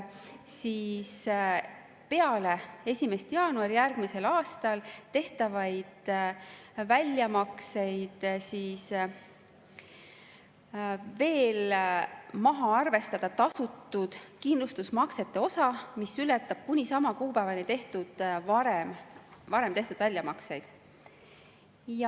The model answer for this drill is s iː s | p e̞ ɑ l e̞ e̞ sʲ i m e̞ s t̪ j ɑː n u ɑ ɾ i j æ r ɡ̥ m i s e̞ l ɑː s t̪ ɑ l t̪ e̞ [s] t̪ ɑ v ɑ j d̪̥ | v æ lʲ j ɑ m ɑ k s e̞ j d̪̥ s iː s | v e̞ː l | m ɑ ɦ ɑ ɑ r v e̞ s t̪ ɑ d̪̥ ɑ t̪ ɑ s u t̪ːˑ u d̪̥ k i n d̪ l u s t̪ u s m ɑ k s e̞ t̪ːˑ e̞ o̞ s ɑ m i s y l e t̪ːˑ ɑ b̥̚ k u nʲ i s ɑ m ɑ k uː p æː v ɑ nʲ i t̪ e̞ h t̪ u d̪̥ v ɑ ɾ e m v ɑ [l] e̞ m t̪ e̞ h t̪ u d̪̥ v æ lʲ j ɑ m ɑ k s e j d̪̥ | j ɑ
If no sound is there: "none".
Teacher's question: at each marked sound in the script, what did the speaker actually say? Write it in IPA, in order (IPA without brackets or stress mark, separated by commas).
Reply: h, ɾ